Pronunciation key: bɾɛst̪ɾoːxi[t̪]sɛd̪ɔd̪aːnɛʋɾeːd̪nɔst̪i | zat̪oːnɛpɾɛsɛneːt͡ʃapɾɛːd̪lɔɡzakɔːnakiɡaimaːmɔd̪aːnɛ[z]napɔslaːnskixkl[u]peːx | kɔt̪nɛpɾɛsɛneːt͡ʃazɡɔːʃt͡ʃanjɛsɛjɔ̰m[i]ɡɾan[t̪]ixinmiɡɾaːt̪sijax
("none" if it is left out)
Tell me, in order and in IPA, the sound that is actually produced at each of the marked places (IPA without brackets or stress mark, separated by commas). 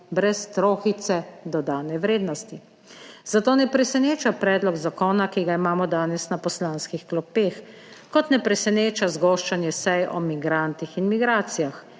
t̪, s, ɔ, i, t̪